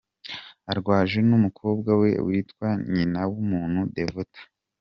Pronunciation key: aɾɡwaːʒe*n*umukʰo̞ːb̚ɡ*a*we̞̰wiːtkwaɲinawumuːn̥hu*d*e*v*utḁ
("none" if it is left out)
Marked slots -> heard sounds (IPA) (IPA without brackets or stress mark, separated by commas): n, a, d, v